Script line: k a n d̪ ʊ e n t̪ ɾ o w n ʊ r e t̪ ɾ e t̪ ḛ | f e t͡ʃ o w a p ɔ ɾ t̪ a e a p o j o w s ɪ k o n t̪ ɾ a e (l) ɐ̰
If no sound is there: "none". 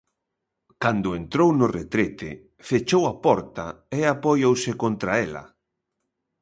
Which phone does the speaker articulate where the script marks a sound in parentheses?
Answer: l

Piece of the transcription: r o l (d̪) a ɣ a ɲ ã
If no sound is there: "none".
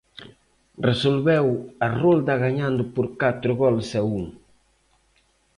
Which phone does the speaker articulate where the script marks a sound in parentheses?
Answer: d̪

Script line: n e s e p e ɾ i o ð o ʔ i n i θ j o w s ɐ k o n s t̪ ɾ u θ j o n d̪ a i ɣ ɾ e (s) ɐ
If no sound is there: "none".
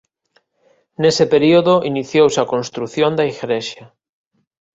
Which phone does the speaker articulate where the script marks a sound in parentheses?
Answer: ʃ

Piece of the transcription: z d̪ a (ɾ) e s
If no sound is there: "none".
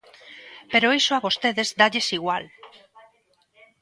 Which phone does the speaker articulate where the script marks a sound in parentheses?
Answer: ʎ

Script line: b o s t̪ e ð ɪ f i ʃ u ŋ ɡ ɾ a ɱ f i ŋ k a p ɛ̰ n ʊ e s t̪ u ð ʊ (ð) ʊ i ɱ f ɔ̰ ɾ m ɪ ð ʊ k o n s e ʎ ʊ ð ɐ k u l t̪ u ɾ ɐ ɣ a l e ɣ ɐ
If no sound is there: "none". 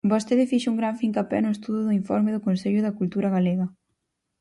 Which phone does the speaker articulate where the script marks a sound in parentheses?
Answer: ð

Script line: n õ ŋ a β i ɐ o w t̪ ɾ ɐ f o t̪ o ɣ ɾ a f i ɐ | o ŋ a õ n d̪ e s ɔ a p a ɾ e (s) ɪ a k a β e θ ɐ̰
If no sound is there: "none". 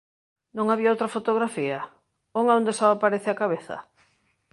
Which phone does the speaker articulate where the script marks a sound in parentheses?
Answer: θ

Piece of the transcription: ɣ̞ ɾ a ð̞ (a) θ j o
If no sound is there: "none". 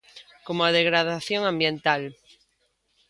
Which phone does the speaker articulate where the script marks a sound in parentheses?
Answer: a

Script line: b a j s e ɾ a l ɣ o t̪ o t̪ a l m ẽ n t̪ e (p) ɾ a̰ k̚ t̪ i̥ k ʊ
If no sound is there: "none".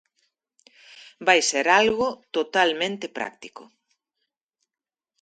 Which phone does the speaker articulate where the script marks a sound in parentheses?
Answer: p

